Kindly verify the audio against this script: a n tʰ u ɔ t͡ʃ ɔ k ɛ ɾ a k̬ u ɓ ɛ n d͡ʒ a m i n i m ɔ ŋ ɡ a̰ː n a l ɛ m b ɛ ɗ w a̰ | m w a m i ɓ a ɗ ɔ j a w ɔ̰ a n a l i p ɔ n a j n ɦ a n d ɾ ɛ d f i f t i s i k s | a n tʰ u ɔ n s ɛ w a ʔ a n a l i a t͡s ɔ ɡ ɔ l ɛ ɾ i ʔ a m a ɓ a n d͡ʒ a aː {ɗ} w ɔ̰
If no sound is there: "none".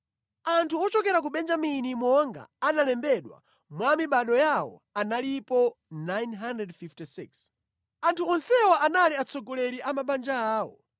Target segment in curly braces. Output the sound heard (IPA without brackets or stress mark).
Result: none